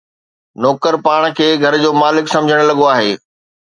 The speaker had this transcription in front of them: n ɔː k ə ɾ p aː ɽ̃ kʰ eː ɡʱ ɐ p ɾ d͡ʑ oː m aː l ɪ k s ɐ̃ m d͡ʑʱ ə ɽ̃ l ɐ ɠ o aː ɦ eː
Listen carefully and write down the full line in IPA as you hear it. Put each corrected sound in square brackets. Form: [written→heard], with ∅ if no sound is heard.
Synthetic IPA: n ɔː k ə ɾ p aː ɽ̃ kʰ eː ɡʱ ɐ [p→∅] ɾ d͡ʑ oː m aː l ɪ k s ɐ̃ m d͡ʑʱ ə ɽ̃ l ɐ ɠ o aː ɦ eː